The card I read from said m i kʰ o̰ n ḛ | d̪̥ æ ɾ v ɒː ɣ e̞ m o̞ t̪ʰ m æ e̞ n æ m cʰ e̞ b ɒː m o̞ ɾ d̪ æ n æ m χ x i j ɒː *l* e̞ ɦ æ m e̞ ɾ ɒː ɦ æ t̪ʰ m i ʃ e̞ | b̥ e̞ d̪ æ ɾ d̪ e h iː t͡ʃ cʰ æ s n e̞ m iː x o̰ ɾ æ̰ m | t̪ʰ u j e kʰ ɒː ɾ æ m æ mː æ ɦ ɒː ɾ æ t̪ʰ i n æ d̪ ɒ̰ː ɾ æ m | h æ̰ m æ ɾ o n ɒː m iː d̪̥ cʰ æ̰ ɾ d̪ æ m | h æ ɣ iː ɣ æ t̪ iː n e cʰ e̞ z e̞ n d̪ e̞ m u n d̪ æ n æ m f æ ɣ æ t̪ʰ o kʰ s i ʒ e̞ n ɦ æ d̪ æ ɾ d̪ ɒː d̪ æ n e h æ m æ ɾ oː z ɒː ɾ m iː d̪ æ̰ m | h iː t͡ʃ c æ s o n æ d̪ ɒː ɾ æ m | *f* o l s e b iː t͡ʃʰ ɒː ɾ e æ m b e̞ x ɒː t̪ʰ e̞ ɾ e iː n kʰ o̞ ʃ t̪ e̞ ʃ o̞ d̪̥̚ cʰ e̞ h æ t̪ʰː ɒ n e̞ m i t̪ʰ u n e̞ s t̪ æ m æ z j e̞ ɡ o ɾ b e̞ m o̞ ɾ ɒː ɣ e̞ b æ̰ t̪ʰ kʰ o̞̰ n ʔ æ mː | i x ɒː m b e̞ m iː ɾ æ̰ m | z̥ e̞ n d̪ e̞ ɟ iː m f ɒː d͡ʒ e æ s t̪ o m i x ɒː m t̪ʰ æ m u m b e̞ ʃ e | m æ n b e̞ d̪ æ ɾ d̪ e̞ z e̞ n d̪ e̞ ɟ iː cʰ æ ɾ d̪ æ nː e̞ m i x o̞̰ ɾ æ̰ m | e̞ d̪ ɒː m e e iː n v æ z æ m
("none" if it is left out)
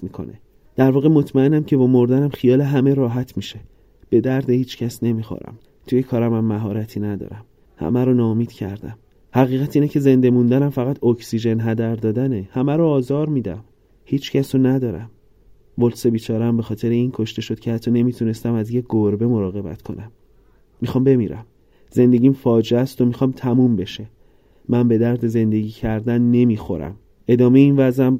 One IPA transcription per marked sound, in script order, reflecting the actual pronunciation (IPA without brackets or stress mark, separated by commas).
l, v